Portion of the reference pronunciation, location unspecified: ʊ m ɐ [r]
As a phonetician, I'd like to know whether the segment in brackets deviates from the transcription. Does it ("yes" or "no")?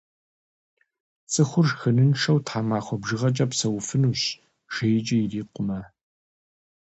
yes